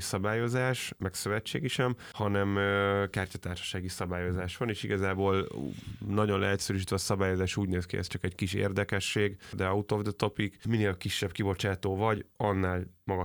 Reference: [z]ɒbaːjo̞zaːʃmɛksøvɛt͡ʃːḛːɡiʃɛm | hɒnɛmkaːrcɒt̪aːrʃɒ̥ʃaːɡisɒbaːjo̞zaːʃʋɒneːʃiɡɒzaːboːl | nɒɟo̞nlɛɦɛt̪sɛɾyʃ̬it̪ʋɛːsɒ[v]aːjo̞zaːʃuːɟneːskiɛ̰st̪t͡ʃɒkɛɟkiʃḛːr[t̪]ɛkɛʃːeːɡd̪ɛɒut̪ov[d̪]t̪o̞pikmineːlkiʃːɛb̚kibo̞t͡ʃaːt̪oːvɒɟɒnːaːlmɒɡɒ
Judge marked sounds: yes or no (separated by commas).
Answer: no, no, no, yes